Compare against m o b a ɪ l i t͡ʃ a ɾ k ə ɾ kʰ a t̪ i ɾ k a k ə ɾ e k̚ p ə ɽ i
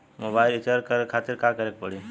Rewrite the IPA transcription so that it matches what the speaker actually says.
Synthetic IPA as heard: m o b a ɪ l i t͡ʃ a ɾ k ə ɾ kʰ a t̪ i ɾ k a k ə ɾ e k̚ p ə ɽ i